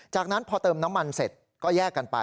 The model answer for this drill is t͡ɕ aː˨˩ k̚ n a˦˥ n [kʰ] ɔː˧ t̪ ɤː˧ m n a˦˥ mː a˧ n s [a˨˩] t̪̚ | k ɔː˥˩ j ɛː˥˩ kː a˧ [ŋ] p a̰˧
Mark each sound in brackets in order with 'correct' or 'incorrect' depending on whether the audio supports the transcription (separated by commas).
incorrect, incorrect, incorrect